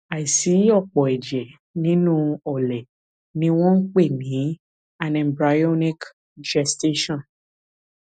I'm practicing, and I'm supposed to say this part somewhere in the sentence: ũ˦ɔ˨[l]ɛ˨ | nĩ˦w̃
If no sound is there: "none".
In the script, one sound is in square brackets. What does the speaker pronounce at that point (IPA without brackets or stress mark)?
l